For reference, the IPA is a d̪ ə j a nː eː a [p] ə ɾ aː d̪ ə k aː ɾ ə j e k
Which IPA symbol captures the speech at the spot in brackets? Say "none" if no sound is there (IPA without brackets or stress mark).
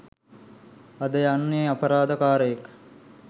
p